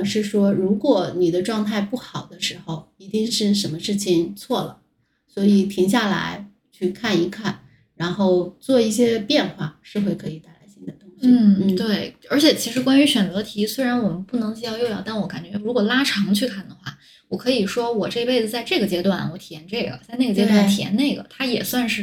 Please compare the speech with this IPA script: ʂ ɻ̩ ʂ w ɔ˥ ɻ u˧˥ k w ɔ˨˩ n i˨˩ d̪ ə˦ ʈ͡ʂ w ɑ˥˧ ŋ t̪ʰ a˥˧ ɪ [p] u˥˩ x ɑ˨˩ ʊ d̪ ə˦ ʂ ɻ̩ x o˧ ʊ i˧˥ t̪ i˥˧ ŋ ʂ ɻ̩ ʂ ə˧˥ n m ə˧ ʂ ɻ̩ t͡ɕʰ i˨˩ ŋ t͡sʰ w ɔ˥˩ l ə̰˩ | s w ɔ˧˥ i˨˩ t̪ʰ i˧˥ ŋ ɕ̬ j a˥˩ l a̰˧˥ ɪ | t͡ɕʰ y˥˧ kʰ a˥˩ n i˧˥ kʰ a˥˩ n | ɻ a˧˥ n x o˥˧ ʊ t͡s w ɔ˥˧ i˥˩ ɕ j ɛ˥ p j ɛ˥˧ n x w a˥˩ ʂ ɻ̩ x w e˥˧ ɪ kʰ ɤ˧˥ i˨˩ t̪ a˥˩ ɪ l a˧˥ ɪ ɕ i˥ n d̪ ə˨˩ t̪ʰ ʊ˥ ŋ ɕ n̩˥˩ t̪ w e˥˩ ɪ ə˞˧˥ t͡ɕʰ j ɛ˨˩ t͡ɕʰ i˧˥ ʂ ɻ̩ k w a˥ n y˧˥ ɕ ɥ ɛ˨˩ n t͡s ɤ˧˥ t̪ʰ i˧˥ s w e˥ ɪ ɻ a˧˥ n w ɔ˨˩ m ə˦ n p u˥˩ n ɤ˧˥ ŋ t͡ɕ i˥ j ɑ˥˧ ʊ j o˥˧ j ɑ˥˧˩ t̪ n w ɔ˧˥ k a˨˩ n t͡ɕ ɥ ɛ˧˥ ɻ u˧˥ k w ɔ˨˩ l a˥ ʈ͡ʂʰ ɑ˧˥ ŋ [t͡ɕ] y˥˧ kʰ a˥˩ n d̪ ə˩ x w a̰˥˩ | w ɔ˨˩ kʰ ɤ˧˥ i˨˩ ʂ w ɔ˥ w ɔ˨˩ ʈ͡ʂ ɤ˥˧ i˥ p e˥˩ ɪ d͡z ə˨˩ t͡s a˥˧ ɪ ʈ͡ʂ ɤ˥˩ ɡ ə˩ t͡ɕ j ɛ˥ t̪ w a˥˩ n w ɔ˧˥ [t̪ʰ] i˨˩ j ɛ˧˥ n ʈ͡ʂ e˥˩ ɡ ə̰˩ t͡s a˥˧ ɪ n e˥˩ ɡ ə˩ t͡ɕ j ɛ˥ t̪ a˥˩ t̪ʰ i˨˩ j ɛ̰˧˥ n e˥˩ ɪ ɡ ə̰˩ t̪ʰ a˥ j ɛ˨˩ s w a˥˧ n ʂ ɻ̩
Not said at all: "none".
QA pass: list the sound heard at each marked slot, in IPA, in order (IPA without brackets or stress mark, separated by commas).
p, t͡ɕʰ, t̪ʰ